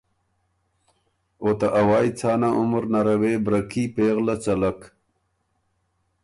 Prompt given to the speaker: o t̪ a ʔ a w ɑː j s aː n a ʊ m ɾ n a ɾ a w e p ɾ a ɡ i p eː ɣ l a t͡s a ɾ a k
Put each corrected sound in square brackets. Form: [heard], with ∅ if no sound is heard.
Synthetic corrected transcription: o t̪ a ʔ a w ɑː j [t͡s] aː n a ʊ m ɾ n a ɾ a w e [b] ɾ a [k] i p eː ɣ l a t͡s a [l] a k